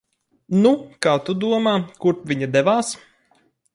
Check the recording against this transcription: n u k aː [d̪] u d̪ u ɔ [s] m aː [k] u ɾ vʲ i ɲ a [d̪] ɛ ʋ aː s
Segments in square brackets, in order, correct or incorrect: incorrect: t̪, incorrect: none, correct, correct

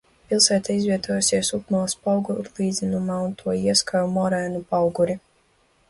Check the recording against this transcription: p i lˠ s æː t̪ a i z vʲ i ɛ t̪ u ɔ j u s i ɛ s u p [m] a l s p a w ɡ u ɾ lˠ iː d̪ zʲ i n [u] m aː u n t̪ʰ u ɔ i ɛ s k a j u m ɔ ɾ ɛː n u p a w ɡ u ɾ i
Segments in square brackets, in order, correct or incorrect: correct, correct

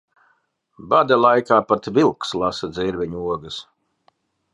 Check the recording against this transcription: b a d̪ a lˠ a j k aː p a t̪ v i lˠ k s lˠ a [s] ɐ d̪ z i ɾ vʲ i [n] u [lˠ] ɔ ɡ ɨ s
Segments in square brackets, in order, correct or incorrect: correct, incorrect: ɲ, incorrect: none

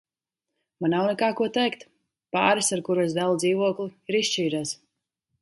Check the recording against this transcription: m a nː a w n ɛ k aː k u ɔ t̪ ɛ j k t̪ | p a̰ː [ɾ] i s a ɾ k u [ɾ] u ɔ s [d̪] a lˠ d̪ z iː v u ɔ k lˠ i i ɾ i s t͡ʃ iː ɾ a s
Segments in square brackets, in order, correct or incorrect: correct, correct, correct

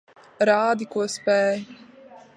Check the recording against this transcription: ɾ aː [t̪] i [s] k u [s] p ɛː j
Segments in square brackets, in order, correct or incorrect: incorrect: d̪, incorrect: none, correct

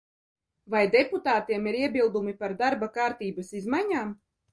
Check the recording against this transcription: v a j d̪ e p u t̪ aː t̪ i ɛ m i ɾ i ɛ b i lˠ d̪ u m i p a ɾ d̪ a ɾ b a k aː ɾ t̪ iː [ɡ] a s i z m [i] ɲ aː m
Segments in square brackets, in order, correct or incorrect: incorrect: b, incorrect: a

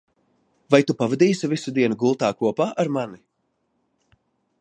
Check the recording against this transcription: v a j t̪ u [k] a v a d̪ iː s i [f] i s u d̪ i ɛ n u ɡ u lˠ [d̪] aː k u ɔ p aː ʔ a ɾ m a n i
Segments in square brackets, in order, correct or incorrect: incorrect: p, incorrect: v, incorrect: t̪

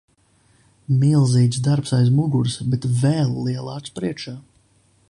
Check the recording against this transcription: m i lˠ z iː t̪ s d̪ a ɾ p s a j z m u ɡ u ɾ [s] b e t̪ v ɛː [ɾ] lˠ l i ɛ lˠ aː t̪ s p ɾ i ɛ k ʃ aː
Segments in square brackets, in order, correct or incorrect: correct, incorrect: none

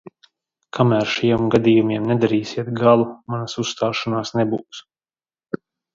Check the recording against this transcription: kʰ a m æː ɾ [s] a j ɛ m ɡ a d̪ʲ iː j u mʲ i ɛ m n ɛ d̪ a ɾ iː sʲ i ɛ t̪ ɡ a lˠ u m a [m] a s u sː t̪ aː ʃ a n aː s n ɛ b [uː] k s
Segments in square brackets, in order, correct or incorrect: incorrect: ʃ, incorrect: n, correct

